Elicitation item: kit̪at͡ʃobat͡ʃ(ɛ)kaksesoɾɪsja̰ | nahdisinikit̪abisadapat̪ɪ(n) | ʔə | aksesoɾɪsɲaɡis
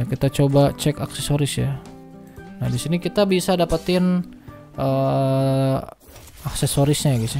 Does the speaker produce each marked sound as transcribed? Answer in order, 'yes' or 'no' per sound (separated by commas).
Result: yes, yes